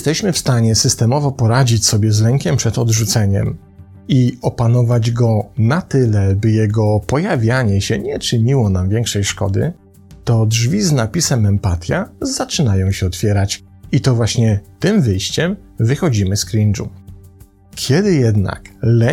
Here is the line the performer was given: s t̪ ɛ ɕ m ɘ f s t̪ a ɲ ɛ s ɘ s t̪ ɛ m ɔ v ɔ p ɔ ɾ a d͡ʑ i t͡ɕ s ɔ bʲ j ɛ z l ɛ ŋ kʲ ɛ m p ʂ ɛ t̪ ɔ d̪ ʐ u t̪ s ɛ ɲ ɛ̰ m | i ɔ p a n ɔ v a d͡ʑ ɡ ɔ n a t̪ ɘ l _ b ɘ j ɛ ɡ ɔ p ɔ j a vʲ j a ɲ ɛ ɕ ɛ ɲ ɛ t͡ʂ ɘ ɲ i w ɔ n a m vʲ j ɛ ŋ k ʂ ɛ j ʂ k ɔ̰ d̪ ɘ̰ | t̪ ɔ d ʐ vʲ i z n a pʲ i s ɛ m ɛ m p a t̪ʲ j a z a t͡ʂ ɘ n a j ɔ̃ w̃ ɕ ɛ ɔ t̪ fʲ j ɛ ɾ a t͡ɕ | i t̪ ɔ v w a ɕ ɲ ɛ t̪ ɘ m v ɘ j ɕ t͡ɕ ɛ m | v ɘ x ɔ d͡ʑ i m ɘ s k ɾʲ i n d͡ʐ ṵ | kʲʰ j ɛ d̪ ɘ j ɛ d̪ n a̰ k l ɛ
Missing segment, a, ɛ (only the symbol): ɛ